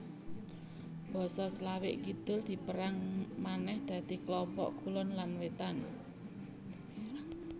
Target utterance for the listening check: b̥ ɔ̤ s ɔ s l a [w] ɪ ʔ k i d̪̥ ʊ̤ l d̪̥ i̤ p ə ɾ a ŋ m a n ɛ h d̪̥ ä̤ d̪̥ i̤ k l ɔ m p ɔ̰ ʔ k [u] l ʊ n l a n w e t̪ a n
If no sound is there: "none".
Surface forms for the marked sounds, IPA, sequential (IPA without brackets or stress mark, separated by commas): w, u